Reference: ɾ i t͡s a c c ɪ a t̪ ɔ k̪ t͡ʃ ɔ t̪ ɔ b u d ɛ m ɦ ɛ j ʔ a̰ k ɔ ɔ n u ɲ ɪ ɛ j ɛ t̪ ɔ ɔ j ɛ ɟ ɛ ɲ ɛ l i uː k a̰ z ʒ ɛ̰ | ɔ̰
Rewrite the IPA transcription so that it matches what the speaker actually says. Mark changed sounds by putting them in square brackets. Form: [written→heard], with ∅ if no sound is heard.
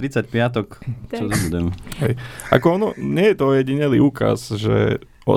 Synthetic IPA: ɾ i t͡s a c [c→p] ɪ a t̪ ɔ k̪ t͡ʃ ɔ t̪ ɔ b u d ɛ m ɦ ɛ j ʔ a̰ k ɔ ɔ n [u→ɔ] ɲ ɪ ɛ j ɛ t̪ ɔ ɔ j ɛ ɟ [ɛ→i] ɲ ɛ l i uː k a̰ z ʒ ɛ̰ | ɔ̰